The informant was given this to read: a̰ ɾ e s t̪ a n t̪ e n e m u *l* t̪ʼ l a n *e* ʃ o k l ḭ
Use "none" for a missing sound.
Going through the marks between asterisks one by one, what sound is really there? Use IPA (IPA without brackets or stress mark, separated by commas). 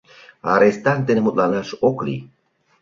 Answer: none, a